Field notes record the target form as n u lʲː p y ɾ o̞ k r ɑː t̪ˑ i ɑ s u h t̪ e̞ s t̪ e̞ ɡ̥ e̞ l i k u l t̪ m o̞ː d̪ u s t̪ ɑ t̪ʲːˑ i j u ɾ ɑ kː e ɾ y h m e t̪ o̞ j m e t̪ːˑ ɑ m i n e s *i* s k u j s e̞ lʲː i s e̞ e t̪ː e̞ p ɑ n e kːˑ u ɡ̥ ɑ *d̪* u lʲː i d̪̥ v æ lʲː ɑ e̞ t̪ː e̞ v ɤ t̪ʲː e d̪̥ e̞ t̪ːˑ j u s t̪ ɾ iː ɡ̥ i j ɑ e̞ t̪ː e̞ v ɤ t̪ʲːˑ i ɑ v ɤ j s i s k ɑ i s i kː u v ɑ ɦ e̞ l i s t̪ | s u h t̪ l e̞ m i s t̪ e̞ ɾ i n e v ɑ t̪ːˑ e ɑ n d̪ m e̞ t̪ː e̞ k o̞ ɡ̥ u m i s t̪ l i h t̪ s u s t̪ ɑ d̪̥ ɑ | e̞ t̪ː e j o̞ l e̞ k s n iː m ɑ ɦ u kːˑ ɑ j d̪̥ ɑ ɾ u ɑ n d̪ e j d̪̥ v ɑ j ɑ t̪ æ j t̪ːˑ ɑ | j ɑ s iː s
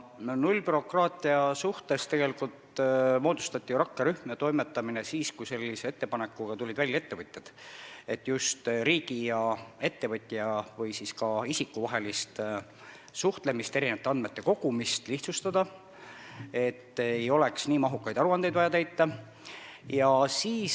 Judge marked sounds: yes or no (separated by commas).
no, no